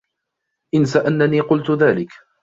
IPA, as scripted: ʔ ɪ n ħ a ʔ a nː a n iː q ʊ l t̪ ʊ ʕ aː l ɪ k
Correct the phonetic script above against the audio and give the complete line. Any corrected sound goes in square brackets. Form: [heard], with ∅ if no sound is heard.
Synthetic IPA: ʔ ɪ n [s] a ʔ a nː a n iː q ʊ l t̪ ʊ [ð] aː l ɪ k